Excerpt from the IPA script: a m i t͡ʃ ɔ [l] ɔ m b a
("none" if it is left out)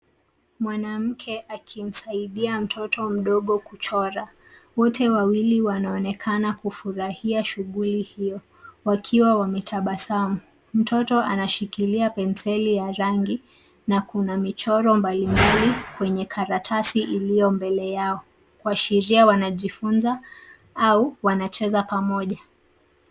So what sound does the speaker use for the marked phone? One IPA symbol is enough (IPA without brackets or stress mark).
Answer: ɾ